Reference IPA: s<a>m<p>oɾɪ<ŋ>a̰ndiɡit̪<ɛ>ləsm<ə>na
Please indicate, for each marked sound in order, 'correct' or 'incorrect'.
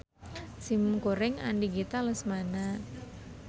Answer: incorrect: i, incorrect: k, correct, incorrect: a, incorrect: a

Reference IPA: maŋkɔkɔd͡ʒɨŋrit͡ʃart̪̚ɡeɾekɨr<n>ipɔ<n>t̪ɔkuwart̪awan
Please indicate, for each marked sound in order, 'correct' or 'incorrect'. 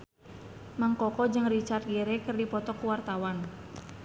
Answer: incorrect: d, incorrect: none

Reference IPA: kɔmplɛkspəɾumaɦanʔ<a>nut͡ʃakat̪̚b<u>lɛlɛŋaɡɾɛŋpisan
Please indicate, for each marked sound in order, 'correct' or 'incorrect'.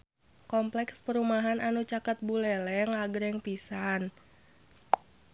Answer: correct, correct

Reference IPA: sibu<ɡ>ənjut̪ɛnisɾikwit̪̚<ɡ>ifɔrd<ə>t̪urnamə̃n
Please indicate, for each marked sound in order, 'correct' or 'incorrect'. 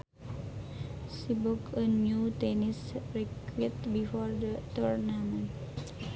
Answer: incorrect: k, incorrect: b, correct

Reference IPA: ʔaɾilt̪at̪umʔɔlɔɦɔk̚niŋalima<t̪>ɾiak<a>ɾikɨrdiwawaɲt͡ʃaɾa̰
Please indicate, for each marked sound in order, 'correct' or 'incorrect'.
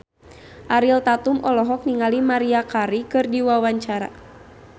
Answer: incorrect: none, correct

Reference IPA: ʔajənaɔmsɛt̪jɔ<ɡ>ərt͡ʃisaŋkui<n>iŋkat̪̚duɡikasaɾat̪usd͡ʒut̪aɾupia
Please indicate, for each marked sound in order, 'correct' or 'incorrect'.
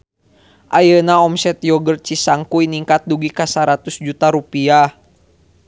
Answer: correct, correct

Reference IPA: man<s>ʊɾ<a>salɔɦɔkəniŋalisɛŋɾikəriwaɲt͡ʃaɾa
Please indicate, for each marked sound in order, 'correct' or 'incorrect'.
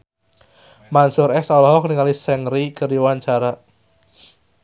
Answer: correct, incorrect: ɛ

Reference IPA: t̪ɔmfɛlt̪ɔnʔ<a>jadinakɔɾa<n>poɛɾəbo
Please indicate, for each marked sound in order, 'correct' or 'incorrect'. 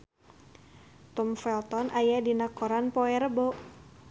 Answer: correct, correct

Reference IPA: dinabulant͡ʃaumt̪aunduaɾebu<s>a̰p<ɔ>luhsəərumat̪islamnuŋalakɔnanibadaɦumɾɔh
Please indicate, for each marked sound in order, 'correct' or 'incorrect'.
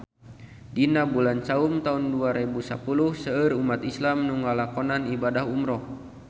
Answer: correct, incorrect: u

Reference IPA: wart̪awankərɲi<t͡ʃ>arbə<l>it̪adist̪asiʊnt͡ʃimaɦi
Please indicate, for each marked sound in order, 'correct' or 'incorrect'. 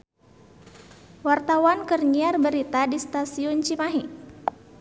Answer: incorrect: none, incorrect: ɾ

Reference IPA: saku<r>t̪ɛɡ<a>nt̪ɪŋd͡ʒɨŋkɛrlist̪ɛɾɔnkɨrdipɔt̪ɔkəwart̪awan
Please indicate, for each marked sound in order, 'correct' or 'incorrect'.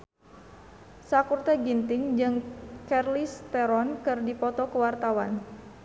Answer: correct, incorrect: i

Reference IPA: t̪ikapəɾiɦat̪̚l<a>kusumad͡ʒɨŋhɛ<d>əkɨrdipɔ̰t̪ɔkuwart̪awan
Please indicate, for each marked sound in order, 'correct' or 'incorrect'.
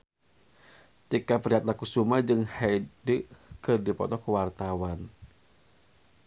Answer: correct, correct

